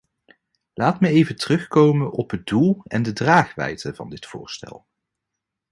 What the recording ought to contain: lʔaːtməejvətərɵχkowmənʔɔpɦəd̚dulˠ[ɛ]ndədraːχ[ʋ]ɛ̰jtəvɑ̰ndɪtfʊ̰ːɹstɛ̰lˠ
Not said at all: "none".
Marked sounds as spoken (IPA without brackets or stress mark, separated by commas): ɛ, ʋ